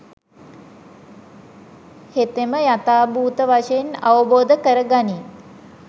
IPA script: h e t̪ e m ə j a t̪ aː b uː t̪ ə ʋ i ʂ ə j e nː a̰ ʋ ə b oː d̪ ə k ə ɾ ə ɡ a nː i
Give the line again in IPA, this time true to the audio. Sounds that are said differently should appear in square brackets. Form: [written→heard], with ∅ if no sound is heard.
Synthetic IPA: h e t̪ e m ə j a t̪ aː b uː t̪ ə ʋ [i→a] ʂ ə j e [nː→n] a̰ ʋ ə b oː d̪ ə k ə ɾ ə ɡ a [nː→n] i